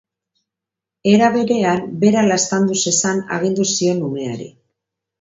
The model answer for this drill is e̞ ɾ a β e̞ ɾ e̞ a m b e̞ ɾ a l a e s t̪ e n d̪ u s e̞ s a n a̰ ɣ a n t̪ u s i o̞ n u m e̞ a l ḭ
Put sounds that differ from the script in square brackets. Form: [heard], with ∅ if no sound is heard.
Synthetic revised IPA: e̞ ɾ a β e̞ ɾ e̞ a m b e̞ ɾ a l a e s t̪ [a] n d̪ u s e̞ s a n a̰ ɣ [i] n [d̪] u s i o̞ n u m e̞ a [ɾ] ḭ